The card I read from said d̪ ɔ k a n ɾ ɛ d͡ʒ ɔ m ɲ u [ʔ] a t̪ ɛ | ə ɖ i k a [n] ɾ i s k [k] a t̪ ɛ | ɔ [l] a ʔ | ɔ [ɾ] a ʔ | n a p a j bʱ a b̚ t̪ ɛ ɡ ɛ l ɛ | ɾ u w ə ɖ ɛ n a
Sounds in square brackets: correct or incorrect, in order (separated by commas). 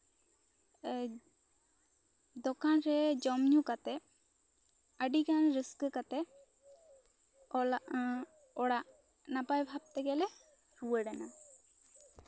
incorrect, correct, correct, correct, incorrect